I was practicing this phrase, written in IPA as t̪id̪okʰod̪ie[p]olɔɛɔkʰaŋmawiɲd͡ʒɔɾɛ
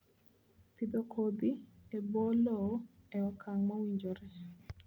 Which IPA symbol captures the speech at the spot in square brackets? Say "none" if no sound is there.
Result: b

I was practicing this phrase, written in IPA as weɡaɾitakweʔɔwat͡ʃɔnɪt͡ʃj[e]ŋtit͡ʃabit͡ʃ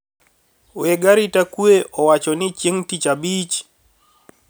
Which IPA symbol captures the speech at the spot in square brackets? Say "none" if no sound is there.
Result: e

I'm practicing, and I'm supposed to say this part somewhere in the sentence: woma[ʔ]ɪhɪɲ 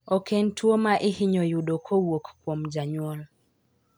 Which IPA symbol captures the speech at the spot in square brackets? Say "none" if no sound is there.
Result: ʔ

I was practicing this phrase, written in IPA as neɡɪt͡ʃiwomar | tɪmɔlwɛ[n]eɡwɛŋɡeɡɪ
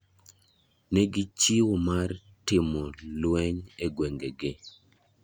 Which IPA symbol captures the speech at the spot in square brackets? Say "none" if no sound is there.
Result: ɲ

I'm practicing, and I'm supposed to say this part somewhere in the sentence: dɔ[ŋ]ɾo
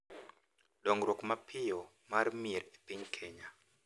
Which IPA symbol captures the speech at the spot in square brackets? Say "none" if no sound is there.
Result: ŋ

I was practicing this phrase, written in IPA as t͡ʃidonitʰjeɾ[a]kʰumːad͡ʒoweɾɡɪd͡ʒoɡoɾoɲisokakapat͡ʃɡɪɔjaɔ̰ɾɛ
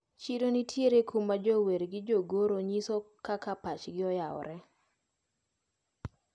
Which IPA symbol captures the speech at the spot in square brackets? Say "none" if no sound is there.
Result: e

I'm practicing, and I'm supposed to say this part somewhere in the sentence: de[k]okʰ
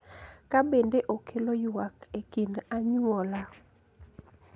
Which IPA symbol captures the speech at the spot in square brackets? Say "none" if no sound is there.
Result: ʔ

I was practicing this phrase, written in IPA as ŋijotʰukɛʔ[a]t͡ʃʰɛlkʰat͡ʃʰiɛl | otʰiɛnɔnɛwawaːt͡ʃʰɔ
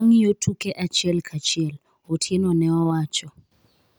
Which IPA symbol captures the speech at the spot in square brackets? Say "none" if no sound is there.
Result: a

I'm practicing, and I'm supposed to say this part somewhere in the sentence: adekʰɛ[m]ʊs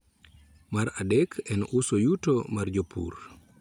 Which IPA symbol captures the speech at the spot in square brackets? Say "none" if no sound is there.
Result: n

